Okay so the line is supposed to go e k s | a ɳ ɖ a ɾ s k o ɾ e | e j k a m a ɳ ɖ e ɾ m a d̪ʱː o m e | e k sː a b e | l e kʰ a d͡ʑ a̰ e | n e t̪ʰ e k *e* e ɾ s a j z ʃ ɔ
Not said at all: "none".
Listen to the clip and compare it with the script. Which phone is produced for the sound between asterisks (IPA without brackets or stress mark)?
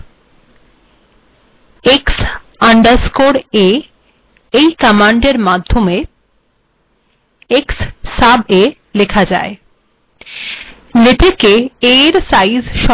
e